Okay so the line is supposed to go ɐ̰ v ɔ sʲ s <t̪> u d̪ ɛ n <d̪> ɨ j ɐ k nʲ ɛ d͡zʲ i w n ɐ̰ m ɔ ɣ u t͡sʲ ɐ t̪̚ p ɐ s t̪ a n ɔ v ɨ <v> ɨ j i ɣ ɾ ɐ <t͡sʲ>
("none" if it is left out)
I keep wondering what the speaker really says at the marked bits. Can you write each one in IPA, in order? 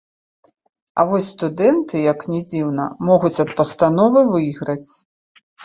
t̪, t̪, v, t͡sʲ

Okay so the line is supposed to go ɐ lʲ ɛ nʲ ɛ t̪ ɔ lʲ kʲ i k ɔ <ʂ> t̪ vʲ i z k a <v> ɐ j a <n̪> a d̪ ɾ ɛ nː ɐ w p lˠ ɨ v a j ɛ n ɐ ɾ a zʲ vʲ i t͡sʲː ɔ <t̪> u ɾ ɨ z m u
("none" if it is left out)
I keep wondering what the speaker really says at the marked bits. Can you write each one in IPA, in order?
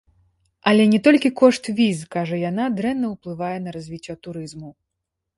ʂ, ʐ, n̪, t̪

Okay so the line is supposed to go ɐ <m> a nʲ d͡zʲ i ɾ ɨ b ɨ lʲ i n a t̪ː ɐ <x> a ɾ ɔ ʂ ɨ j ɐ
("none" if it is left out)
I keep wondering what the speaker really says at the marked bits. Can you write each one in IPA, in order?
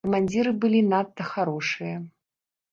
m, x

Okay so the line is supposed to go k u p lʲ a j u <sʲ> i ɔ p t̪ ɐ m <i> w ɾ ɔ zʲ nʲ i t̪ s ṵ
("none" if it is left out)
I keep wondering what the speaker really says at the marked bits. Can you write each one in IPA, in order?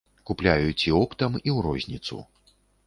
t͡sʲ, i

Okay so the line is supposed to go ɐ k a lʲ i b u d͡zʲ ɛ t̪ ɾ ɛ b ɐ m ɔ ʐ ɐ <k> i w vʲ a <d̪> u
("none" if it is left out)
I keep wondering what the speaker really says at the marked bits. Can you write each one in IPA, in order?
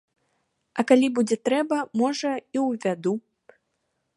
none, d̪

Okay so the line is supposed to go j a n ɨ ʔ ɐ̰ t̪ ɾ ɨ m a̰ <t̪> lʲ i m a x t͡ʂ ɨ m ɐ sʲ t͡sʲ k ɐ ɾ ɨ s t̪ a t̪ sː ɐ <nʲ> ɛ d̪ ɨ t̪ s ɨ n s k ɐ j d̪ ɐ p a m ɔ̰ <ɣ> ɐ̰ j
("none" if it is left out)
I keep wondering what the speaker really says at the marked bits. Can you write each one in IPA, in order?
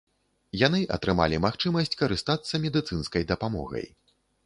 none, mʲ, ɣ

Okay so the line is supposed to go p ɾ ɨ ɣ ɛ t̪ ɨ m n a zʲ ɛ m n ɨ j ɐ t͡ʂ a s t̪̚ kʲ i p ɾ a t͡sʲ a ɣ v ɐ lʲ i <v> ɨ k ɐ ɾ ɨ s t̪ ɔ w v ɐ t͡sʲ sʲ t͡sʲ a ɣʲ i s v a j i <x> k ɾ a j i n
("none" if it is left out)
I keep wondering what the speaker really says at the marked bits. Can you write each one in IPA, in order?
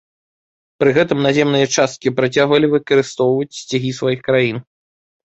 v, x

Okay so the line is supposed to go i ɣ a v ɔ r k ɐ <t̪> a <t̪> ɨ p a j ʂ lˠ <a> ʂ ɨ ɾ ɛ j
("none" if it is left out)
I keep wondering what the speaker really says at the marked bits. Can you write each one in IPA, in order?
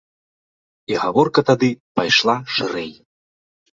t̪, d̪, a

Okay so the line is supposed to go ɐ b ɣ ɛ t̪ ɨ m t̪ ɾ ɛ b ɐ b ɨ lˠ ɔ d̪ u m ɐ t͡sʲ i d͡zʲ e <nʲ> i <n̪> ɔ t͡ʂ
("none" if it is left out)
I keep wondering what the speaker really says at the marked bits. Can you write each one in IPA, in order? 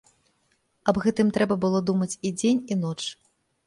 nʲ, n̪

